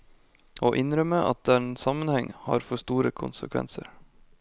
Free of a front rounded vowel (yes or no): no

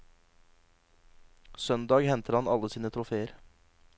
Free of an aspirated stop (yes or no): no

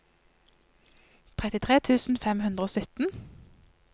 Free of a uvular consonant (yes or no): no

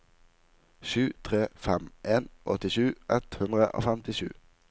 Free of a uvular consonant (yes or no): no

